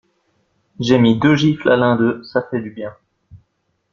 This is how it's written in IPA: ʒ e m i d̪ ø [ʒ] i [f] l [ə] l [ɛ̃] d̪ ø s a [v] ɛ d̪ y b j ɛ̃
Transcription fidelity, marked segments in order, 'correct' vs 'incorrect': correct, correct, incorrect: a, correct, incorrect: f

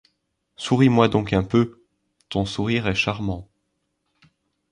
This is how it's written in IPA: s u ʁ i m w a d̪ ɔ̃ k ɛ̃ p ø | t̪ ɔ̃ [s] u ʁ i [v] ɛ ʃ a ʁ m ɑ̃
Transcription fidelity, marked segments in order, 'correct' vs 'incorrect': correct, incorrect: ʁ

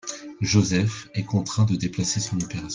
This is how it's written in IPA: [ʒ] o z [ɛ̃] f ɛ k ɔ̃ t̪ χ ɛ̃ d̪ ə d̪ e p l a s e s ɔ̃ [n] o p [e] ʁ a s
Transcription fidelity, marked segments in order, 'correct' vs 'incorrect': correct, incorrect: ɛ, correct, correct

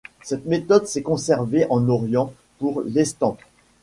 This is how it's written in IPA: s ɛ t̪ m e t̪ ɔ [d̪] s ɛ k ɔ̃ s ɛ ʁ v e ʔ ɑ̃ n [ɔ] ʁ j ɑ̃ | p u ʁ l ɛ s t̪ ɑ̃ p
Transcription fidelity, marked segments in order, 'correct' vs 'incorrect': correct, correct

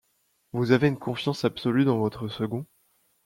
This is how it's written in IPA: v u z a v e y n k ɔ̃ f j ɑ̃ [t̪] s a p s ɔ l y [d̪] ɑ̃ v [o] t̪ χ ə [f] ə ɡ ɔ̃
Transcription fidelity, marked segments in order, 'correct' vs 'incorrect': incorrect: none, correct, incorrect: ɔ, incorrect: s

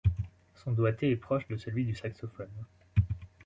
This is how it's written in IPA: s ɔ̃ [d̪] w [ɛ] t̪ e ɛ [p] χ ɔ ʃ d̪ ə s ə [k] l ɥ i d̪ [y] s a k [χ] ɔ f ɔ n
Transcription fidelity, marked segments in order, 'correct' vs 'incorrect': correct, incorrect: a, correct, incorrect: none, correct, incorrect: s

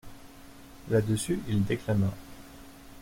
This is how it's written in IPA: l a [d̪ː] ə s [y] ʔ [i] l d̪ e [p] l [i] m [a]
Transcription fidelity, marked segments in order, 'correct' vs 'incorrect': incorrect: d̪, correct, correct, incorrect: k, incorrect: a, correct

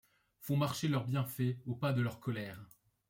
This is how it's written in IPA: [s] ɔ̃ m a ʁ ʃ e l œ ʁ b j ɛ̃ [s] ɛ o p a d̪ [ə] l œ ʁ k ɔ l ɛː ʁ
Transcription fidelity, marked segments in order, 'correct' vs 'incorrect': incorrect: f, incorrect: f, correct

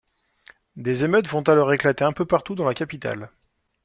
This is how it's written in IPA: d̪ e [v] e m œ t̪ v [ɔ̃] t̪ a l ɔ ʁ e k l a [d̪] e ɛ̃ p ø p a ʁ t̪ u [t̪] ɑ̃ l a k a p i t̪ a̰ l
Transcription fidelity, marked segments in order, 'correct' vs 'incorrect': incorrect: z, correct, incorrect: t̪, incorrect: d̪

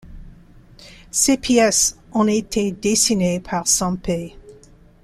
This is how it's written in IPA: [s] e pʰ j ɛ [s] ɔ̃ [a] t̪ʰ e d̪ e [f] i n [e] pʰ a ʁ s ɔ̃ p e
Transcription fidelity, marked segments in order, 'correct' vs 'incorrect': correct, correct, incorrect: e, incorrect: s, correct

